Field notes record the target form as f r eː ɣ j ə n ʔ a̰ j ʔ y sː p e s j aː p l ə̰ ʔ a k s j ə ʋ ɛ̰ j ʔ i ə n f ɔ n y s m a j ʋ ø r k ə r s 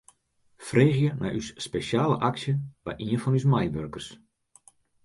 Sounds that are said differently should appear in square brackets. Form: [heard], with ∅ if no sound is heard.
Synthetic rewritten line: f r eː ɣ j ə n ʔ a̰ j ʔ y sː p e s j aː [∅] l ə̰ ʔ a k s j ə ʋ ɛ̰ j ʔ i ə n f ɔ n y s m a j ʋ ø r k ə r s